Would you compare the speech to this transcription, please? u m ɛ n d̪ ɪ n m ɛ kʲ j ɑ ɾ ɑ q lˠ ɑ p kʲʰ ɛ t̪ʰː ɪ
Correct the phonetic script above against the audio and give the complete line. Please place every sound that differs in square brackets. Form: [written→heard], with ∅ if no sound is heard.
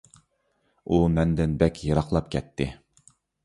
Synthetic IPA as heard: u m ɛ n d̪ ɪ n [m→b] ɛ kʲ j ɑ ɾ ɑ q lˠ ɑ p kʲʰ ɛ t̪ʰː ɪ